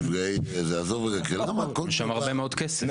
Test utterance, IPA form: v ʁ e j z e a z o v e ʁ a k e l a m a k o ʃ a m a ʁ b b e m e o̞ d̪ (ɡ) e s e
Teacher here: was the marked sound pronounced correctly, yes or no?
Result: no